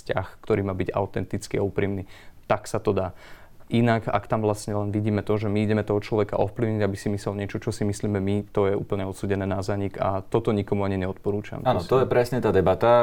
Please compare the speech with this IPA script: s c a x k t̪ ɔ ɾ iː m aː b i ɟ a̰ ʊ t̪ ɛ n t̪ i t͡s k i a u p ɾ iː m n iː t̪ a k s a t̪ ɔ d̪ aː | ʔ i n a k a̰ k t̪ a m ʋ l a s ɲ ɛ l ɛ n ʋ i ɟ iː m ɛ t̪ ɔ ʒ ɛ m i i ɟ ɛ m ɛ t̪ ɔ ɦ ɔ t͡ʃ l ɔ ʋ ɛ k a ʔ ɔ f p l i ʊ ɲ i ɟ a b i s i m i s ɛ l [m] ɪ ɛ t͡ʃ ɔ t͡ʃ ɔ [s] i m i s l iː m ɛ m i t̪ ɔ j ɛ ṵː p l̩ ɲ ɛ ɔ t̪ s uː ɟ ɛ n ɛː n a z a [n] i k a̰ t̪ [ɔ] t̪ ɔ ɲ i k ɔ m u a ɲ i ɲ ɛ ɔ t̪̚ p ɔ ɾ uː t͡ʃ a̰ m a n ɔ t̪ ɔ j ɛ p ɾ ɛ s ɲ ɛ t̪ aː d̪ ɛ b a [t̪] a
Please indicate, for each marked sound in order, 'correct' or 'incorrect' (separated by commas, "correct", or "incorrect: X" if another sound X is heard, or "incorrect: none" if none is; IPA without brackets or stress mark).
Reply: incorrect: ɲ, correct, incorrect: ɲ, correct, correct